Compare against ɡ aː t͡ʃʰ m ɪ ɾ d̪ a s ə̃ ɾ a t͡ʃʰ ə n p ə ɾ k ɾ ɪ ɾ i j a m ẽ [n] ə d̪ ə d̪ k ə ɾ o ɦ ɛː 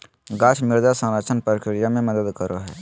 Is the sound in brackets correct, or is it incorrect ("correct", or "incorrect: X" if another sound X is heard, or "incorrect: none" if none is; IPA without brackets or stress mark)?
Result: incorrect: m